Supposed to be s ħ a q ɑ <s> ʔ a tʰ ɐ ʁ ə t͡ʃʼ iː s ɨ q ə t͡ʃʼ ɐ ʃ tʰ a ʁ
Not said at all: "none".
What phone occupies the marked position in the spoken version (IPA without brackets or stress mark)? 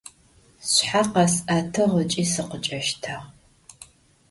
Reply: s